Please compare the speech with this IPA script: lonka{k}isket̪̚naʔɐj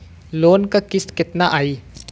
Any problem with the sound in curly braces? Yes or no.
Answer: no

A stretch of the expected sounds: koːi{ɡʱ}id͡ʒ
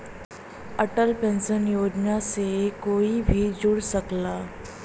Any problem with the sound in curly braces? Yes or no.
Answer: yes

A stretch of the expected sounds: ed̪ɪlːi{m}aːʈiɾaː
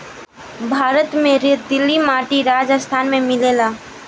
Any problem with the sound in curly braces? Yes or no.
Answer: no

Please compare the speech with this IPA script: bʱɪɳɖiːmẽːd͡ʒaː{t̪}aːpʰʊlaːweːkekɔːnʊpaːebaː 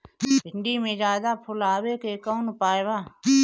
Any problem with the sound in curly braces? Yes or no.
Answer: yes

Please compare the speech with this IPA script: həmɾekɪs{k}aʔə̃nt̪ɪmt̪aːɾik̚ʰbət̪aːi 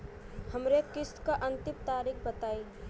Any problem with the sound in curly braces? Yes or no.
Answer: no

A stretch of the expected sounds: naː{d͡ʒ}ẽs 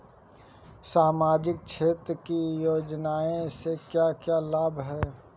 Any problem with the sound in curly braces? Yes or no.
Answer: yes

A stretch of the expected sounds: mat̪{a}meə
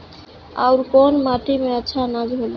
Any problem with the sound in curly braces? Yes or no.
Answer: yes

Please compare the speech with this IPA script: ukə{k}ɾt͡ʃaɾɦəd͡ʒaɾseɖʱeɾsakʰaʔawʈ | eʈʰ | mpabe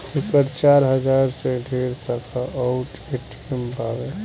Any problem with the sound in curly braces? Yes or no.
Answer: yes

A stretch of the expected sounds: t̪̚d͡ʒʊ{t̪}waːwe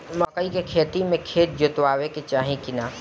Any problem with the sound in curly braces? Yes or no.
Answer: no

